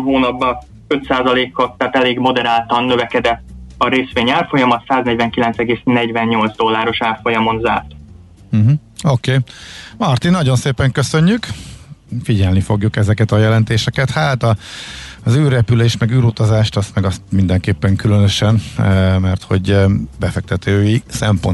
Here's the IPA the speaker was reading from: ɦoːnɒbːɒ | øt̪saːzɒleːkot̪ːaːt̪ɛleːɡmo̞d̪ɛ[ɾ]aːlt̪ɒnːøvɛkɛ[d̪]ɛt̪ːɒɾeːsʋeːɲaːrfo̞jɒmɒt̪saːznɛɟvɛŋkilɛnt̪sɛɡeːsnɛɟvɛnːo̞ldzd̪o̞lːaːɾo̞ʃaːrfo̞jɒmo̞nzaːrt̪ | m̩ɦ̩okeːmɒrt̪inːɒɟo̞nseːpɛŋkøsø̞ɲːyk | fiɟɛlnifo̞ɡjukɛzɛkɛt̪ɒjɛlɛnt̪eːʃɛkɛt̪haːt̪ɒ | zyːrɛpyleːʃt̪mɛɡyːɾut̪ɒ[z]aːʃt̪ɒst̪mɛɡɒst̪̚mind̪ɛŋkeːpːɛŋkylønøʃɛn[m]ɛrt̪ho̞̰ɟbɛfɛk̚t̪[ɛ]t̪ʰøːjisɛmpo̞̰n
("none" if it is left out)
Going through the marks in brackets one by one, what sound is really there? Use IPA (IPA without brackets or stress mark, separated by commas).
ɾ, d̪, z, m, ɛ